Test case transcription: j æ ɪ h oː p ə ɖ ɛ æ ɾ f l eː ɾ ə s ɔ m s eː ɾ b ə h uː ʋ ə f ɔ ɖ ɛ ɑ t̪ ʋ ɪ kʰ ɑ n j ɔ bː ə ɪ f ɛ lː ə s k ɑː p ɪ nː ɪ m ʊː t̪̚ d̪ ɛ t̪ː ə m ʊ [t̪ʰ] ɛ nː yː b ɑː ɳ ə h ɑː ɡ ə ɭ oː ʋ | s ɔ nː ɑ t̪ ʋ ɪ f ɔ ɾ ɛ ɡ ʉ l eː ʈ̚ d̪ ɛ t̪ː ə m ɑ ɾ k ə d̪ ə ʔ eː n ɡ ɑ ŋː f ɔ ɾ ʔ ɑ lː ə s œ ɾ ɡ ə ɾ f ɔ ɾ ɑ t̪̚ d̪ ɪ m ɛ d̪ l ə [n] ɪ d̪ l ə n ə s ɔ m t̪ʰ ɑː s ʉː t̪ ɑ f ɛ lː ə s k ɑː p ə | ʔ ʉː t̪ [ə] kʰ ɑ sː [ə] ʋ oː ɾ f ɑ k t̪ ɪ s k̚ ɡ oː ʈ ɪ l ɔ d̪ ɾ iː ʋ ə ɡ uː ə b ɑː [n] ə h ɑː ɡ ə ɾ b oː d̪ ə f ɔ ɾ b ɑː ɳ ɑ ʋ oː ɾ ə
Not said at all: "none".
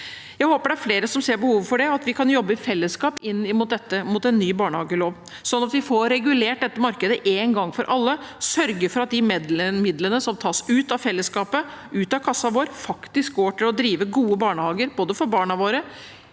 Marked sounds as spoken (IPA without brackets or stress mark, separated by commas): t̪, m, ɑ, ɑ, ɳ